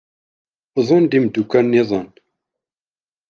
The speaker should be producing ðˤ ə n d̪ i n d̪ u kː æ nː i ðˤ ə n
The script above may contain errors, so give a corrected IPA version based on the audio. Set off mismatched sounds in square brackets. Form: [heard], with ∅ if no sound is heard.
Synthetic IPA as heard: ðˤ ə n d̪ i [m] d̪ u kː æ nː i ðˤ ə n